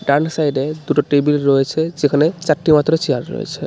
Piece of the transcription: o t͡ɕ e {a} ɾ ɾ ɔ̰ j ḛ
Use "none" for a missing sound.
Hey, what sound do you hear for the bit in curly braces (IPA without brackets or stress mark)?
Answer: a